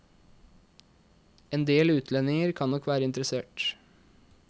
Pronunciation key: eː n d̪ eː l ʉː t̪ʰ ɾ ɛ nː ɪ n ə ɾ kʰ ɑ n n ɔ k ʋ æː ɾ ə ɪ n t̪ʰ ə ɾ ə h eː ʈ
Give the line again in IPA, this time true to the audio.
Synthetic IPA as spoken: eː n d̪ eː l ʉː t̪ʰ l ɛ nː ɪ ŋ ə ɾ kʰ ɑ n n ɔ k ʋ æː ɾ ə ɪ n t̪ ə ɾ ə s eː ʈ